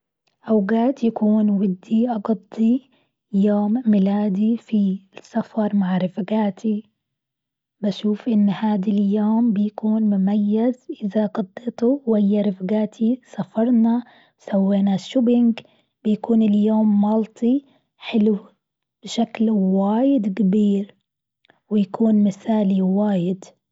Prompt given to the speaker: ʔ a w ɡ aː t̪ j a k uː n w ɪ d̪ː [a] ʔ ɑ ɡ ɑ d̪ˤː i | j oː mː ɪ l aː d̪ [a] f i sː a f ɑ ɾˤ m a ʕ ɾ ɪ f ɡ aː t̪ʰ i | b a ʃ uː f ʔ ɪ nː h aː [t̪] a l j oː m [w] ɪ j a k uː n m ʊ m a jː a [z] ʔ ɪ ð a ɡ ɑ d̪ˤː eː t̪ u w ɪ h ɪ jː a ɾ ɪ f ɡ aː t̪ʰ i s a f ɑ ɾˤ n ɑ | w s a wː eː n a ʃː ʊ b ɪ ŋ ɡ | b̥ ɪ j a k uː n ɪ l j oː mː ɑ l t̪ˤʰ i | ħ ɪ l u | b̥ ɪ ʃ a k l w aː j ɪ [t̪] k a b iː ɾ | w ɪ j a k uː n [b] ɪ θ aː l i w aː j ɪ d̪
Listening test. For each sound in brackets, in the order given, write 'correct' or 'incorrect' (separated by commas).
incorrect, incorrect, incorrect, incorrect, correct, incorrect, incorrect